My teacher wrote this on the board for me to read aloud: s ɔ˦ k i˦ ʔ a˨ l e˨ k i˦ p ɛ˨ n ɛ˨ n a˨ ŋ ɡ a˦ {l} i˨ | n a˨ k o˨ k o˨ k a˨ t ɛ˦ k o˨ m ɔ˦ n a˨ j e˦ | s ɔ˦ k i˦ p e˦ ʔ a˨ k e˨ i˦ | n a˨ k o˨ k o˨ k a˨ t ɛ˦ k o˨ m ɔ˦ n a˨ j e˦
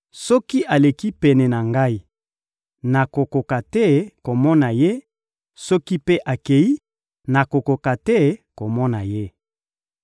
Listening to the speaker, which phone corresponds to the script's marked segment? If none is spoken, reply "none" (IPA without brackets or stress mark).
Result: none